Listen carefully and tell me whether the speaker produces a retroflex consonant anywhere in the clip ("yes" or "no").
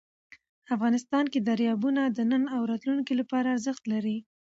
no